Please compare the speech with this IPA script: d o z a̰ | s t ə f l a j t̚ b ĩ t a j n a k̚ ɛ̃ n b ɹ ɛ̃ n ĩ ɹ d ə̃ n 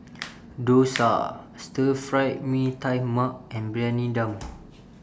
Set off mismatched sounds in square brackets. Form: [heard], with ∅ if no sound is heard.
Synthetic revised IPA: d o [s] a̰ | s t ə f [ɹ] a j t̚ [m] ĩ t a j [m] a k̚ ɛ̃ n b ɹ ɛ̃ n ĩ [∅] d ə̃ [m]